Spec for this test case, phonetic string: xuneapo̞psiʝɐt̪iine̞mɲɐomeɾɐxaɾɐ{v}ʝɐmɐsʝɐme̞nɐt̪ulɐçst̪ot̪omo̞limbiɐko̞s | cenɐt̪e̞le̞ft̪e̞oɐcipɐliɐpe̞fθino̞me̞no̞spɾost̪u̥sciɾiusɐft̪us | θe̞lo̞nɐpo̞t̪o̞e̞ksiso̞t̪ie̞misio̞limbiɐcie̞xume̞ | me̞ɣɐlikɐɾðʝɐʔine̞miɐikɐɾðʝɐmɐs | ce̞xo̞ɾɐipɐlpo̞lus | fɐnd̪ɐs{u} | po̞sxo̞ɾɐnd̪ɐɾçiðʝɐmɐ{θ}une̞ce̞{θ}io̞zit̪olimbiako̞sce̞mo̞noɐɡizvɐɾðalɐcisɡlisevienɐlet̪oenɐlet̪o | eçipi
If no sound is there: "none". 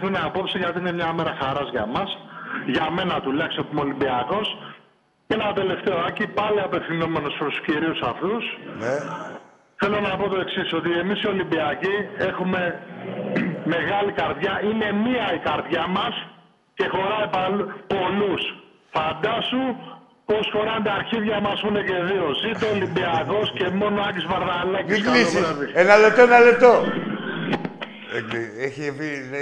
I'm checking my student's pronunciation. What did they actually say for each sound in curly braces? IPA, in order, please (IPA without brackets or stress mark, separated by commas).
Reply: z, u, s, ð